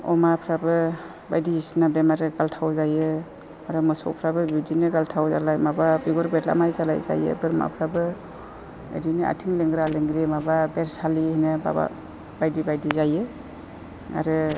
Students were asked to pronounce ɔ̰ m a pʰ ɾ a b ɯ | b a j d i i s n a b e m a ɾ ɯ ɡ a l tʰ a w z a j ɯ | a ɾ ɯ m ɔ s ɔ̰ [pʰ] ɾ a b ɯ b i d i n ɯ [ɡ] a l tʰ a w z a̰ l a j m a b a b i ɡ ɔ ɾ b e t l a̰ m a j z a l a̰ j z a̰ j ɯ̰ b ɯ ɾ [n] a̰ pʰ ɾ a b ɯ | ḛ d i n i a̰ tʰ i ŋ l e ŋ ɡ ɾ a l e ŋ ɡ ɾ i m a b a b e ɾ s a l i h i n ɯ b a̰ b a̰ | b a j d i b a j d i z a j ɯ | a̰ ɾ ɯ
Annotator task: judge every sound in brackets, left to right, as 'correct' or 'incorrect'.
correct, correct, incorrect

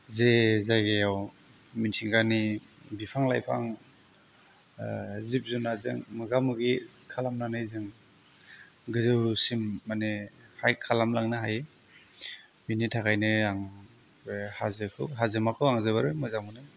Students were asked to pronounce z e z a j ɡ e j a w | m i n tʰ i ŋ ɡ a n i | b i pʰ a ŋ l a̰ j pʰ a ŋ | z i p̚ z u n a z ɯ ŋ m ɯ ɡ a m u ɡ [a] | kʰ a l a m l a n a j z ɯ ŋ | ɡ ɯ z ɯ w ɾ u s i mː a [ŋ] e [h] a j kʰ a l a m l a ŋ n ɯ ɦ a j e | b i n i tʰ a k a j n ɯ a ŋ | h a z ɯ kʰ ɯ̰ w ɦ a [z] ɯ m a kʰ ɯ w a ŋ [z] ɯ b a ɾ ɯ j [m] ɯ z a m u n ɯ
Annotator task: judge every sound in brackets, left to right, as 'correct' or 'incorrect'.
incorrect, incorrect, correct, correct, correct, correct

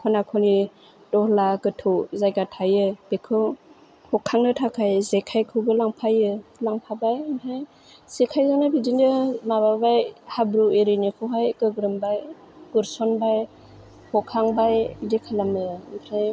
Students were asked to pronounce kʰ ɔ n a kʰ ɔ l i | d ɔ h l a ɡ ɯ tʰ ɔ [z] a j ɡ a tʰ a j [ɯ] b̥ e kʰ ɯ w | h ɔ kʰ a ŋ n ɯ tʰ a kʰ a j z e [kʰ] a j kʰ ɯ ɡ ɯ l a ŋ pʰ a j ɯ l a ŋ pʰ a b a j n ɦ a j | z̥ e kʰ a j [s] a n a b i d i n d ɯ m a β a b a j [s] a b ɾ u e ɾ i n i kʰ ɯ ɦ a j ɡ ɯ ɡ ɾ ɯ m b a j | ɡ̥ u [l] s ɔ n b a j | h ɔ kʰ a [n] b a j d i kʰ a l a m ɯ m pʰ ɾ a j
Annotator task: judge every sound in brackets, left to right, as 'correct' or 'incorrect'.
correct, correct, correct, incorrect, incorrect, incorrect, incorrect

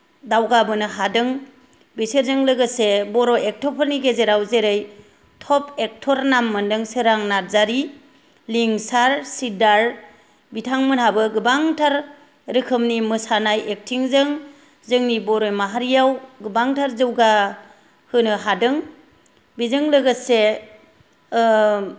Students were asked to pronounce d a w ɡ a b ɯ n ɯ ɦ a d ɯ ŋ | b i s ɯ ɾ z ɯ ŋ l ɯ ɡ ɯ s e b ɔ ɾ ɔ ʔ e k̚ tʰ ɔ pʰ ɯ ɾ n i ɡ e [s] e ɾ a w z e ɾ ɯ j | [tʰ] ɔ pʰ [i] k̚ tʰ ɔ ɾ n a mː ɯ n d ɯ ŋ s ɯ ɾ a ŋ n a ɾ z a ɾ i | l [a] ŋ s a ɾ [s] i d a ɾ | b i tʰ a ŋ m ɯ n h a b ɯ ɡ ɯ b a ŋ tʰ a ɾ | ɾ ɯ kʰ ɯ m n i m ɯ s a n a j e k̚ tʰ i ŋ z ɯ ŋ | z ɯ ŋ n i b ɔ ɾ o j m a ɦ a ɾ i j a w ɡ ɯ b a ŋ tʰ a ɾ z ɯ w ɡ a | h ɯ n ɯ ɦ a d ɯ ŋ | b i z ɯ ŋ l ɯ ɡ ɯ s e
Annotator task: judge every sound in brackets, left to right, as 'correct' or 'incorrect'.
incorrect, correct, incorrect, incorrect, correct

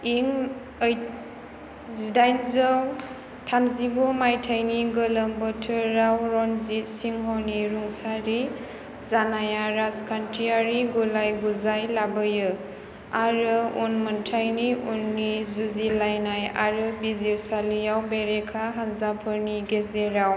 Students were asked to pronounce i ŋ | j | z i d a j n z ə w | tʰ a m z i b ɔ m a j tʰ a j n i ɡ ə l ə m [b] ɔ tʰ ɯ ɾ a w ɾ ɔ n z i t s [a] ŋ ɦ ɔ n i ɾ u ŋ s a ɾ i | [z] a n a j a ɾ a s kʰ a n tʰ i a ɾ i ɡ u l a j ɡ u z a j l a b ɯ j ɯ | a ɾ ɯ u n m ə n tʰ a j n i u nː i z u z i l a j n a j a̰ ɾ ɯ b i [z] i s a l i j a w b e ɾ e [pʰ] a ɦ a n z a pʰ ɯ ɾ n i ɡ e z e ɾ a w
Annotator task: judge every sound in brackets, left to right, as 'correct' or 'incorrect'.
correct, incorrect, correct, correct, incorrect

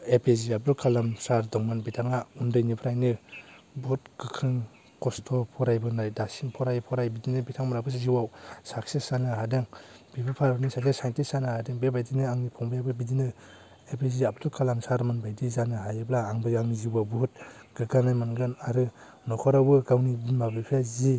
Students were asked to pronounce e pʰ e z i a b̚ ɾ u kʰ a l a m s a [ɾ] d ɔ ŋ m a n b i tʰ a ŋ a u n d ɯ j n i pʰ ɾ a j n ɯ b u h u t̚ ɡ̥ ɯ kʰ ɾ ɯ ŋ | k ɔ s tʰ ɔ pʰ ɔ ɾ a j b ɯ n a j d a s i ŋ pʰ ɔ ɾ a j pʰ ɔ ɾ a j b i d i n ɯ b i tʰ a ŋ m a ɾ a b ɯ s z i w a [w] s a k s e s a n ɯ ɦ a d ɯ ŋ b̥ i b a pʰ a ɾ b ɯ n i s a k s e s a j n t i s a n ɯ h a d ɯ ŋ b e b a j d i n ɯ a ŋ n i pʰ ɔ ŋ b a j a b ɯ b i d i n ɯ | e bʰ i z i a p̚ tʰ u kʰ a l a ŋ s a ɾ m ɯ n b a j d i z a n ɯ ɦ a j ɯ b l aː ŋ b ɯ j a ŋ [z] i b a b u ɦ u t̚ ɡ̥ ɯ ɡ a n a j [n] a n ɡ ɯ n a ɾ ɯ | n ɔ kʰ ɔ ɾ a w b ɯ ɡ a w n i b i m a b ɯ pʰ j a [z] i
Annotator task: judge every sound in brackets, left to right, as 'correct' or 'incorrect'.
correct, correct, correct, incorrect, correct

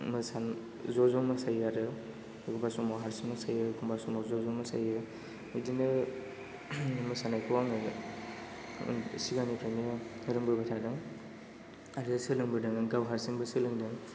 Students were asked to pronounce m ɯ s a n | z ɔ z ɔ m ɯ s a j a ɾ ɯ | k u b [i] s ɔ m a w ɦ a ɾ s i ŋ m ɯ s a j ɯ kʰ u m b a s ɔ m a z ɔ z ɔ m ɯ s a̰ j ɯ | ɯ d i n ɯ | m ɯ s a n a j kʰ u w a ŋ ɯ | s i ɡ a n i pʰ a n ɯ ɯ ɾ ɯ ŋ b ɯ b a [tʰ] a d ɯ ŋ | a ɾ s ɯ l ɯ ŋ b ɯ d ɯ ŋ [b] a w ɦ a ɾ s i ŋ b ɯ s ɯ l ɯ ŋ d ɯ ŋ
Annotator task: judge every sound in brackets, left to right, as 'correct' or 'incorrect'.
incorrect, correct, incorrect

